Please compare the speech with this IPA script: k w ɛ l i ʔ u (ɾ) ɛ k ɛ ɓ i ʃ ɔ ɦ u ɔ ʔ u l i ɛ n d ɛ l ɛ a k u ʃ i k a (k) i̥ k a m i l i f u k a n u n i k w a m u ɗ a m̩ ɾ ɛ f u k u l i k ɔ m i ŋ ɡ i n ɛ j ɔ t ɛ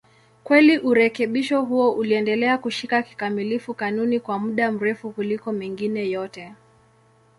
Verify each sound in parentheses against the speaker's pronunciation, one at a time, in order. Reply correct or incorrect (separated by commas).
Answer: correct, correct